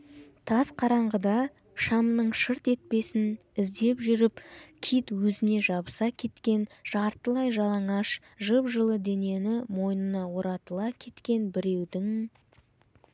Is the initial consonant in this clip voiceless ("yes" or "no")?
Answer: yes